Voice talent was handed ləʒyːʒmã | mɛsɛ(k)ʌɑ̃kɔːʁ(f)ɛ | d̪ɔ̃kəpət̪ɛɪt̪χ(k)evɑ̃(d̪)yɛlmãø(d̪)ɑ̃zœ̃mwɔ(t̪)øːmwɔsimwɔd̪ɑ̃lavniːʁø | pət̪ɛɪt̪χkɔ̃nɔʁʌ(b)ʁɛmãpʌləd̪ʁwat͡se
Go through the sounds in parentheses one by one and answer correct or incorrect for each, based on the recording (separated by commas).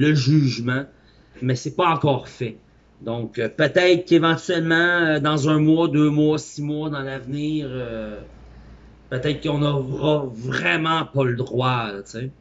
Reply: incorrect, correct, correct, incorrect, correct, incorrect, incorrect